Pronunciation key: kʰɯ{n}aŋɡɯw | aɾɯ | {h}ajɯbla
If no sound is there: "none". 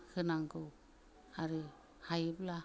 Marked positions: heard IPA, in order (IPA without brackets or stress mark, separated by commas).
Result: n, h